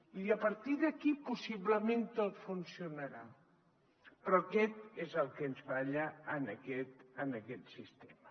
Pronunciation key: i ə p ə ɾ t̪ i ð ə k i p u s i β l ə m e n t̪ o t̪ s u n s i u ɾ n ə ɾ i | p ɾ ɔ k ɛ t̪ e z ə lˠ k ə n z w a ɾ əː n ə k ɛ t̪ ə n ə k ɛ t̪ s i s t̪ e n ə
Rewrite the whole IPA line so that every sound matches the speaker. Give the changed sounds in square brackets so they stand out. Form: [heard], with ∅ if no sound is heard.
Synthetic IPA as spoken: i ə p ə ɾ t̪ i ð ə k i p u s i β l ə m e n t̪ o t̪ [f] u n s i u [∅] n ə ɾ [a] | p ɾ ɔ k ɛ t̪ e z ə lˠ k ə n z [β] a [ʎ] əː n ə k ɛ t̪ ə n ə k ɛ t̪ s i s t̪ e [m] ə